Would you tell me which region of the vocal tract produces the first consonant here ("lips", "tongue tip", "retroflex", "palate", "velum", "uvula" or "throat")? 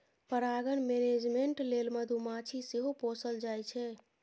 lips